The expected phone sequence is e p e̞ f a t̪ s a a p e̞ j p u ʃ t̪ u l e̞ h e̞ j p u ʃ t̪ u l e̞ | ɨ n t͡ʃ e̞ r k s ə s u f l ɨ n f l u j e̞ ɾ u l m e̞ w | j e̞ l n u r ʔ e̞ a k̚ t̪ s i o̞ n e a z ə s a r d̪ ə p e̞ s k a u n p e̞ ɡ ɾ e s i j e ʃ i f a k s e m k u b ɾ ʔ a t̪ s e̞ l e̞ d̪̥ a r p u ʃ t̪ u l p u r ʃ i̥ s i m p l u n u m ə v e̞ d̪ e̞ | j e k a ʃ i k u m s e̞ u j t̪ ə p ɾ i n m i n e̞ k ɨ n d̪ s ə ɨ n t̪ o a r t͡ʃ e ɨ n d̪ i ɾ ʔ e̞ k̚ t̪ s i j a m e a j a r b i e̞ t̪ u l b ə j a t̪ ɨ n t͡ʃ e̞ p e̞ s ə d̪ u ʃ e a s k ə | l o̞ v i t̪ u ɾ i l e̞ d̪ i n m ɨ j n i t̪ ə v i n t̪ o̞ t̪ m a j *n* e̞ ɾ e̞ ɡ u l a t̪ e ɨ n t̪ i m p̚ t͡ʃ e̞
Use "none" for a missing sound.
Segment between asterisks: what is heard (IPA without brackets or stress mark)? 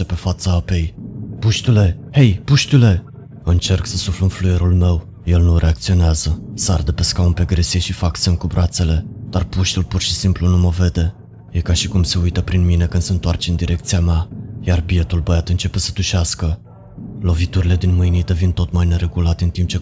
n